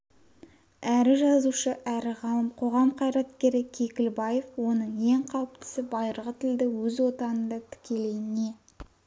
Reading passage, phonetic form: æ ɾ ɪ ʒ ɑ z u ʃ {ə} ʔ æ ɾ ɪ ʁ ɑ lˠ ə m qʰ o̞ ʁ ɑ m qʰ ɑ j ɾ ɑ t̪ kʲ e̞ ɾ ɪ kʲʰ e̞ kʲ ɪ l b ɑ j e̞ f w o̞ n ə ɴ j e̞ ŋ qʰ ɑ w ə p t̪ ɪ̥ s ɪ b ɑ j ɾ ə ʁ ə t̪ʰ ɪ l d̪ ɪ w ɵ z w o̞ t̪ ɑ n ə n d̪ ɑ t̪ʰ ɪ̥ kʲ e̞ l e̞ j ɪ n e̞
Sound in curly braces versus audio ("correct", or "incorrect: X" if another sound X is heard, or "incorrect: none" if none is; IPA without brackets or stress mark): correct